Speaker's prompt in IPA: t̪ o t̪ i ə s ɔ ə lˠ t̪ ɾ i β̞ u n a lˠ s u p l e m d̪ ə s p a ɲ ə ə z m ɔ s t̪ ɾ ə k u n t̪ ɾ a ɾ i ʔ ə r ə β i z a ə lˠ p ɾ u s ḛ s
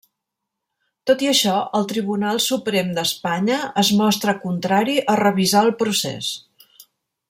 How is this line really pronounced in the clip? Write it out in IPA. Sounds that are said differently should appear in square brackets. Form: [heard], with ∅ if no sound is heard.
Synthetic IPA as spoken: t̪ o t̪ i ə [ʃ] ɔ ə lˠ t̪ ɾ i β̞ u n a lˠ s u p [ɾ] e m d̪ ə s p a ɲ ə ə z m ɔ s t̪ ɾ ə k u n t̪ ɾ a ɾ i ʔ ə r ə β i z a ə lˠ p ɾ u s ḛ s

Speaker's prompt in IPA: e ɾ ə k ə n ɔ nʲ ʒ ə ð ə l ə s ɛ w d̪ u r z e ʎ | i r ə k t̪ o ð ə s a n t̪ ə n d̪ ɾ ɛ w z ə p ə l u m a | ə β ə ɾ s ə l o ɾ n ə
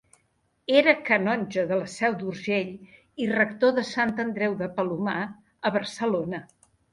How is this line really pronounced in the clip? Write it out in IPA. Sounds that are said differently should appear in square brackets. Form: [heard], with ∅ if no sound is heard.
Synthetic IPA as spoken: e ɾ ə k ə n ɔ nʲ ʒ ə ð ə l ə s ɛ w d̪ u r [ʒ] e ʎ | i r ə k t̪ o ð ə s a n t̪ ə n d̪ ɾ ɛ w [ð] ə p ə l u m a | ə β ə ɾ s ə l o [∅] n ə

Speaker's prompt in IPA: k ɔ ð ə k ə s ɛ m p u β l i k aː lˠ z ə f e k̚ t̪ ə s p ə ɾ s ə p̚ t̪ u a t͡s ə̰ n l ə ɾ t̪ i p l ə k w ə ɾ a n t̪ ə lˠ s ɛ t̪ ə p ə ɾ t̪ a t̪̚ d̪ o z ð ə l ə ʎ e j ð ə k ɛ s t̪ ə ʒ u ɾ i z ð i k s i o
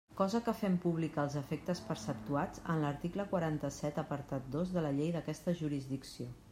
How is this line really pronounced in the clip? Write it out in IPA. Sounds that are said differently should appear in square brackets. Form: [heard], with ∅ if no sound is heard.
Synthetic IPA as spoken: k ɔ [z] ə k ə [f] ɛ m p u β l i k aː lˠ z ə f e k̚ t̪ ə s p ə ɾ s ə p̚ t̪ u a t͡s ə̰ n l ə ɾ t̪ i [k] l ə k w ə ɾ a n t̪ ə [∅] s ɛ t̪ ə p ə ɾ t̪ a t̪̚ d̪ o z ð ə l ə ʎ e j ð ə k ɛ s t̪ ə ʒ u ɾ i z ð i k s i o

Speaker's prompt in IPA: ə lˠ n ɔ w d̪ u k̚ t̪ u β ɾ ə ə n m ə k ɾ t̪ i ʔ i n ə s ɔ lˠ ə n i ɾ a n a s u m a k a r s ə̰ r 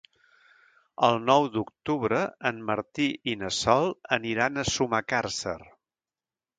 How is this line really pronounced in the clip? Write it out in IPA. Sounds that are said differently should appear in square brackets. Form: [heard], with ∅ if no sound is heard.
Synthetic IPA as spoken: ə lˠ n ɔ w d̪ u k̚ t̪ u β ɾ ə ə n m ə [∅] ɾ t̪ i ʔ i n ə s ɔ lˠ ə n i ɾ a n [ə] s u m a k a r s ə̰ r

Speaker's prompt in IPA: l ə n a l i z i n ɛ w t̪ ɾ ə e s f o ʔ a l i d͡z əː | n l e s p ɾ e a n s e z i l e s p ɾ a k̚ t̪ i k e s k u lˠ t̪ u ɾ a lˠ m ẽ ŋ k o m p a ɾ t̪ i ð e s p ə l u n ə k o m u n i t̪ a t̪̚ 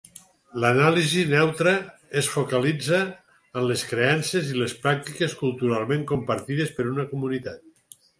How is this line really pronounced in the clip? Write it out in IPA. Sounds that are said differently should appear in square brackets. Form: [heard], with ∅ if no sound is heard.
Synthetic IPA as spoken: l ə n a l i z i n ɛ w t̪ ɾ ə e s f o [k] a l i d͡z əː | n l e s [k] ɾ e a n s e z i l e s p ɾ a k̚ t̪ i k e s k u lˠ t̪ u ɾ a lˠ m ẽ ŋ k o m p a ɾ t̪ i ð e s p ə [ɾ] u n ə k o m u n i t̪ a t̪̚

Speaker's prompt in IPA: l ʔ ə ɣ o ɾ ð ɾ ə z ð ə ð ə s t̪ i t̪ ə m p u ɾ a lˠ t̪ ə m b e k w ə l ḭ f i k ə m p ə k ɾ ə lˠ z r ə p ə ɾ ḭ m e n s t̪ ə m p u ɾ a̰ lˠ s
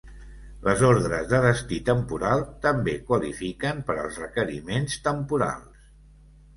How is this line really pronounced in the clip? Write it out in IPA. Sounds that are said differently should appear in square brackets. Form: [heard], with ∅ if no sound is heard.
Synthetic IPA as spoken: l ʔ ə [z] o ɾ ð ɾ ə z ð ə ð ə s t̪ i t̪ ə m p u ɾ a lˠ t̪ ə m b e k w ə l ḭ f i k ə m p ə [∅] ɾ ə lˠ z r ə [k] ə ɾ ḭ m e n s t̪ ə m p u ɾ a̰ lˠ s

